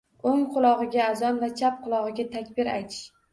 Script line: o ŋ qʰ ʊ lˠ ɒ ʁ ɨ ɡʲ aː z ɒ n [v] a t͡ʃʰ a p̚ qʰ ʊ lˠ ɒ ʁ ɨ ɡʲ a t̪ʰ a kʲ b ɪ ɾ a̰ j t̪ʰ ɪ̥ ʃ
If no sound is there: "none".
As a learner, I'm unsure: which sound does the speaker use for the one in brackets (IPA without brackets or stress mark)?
v